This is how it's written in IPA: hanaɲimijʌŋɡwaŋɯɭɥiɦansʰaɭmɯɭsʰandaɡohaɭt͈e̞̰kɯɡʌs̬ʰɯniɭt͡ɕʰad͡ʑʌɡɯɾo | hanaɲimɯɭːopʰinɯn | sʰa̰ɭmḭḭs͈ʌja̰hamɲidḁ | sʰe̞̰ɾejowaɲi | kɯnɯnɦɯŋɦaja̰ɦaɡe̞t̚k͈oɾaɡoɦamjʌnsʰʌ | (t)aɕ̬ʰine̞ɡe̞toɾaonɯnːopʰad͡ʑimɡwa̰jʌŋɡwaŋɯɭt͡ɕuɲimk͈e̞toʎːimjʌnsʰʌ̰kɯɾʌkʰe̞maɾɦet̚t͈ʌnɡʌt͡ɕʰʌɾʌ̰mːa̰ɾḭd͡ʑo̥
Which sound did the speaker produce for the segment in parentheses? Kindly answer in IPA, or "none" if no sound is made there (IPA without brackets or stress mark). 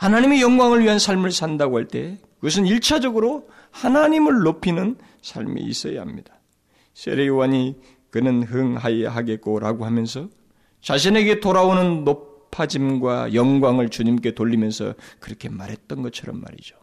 t͡ɕ